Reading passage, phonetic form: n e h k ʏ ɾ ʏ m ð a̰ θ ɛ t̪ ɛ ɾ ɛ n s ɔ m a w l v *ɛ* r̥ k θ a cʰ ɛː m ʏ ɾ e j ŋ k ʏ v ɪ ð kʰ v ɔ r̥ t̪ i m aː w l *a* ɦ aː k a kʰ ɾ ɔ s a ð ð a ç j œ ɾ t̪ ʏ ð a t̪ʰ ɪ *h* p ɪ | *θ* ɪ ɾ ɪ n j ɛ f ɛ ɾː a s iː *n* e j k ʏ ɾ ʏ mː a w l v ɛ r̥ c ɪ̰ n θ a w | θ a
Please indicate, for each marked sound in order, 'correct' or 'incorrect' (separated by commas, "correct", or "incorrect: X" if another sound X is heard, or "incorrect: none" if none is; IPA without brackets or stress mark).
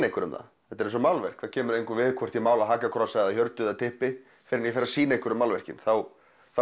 correct, correct, correct, incorrect: f, correct